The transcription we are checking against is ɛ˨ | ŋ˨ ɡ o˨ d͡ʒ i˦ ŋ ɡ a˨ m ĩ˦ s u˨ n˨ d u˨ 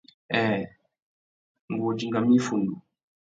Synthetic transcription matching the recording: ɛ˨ | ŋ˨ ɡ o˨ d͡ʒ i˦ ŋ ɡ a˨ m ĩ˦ f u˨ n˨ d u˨